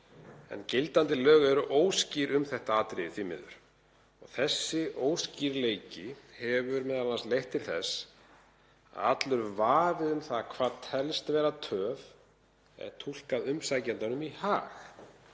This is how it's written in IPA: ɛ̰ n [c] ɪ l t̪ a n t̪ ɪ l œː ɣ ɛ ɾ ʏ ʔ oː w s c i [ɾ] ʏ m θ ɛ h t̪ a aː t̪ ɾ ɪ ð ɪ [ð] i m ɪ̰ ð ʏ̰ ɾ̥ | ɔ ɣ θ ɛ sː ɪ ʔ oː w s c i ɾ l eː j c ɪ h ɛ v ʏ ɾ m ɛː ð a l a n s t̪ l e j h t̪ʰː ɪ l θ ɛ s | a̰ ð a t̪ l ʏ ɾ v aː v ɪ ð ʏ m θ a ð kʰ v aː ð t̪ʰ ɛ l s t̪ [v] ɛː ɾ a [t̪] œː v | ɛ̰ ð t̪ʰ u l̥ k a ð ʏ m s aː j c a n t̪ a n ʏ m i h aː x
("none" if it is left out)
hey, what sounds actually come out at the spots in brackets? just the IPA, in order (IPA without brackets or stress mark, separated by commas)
c, ɾ, θ, v, t̪ʰ